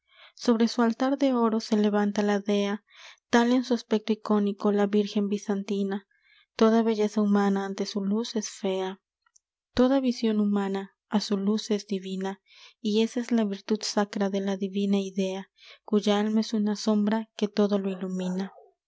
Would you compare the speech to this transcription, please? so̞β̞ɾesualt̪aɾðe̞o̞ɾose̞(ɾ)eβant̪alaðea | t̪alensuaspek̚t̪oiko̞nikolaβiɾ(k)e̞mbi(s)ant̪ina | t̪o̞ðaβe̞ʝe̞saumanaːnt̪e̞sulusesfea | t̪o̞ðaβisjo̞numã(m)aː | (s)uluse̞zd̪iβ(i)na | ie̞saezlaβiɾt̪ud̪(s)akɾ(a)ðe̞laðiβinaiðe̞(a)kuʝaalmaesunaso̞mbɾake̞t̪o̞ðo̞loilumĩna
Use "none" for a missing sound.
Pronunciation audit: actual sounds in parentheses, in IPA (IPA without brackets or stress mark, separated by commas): l, x, s, n, s, i, s, a, a